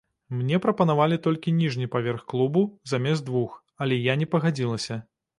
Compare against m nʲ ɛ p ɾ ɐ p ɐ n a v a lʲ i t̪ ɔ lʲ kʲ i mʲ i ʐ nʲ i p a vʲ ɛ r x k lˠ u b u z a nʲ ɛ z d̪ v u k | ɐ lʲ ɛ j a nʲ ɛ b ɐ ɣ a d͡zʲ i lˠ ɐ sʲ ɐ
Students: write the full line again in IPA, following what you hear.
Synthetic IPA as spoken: m nʲ ɛ p ɾ ɐ p ɐ n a v a lʲ i t̪ ɔ lʲ kʲ i nʲ i ʐ nʲ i p a vʲ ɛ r x k lˠ u b u z a mʲ ɛ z d̪ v u x | ɐ lʲ ɛ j a nʲ ɛ p ɐ ɣ a d͡zʲ i lˠ ɐ sʲ ɐ